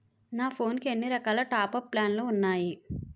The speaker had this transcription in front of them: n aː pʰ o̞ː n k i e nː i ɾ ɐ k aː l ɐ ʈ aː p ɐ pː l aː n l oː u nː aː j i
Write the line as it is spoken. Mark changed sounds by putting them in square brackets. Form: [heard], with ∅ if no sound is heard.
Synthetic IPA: n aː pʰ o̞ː n k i e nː i ɾ ɐ k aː l ɐ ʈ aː p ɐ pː l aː n l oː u nː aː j i

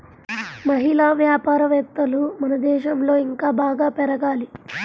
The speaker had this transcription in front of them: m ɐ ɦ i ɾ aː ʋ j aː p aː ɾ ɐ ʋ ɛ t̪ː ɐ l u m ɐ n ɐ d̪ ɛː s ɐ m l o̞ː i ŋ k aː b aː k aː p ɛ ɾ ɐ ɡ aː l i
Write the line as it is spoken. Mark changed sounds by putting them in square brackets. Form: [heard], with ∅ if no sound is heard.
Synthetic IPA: m ɐ ɦ i [l] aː ʋ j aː p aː ɾ ɐ ʋ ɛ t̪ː ɐ l u m ɐ n ɐ d̪ ɛː [ʃ] ɐ m l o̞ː i ŋ k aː b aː [ɡ] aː p ɛ ɾ ɐ ɡ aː l i

